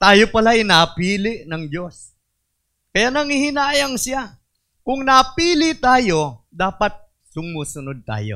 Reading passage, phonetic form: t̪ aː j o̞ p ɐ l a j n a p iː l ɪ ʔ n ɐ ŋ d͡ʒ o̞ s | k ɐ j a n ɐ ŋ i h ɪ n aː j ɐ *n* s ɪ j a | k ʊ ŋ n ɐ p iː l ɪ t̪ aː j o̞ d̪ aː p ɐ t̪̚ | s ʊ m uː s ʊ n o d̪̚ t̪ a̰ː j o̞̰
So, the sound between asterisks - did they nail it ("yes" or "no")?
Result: no